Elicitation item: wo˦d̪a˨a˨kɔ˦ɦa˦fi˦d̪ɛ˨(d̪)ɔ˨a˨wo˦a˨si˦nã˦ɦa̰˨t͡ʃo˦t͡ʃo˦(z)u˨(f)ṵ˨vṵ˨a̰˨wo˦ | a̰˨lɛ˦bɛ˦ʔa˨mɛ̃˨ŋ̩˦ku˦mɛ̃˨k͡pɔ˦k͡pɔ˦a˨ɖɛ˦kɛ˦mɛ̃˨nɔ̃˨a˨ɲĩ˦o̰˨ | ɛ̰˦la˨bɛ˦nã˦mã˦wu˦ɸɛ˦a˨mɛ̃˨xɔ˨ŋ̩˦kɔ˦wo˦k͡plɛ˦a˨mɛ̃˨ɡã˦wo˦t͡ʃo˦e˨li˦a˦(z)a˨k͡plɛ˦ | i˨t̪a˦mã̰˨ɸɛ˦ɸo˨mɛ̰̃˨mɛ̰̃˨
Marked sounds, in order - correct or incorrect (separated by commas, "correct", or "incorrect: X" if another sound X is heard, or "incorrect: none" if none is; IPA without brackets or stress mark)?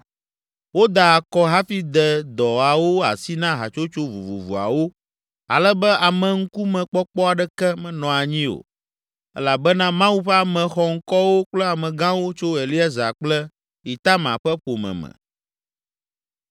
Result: correct, incorrect: v, incorrect: v, correct